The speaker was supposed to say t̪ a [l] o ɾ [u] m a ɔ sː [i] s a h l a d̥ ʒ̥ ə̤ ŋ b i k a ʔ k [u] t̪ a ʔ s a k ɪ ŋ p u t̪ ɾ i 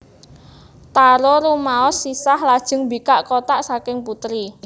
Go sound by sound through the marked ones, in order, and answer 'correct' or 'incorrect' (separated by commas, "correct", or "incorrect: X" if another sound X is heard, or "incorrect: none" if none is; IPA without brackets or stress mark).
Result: incorrect: ɾ, correct, correct, incorrect: o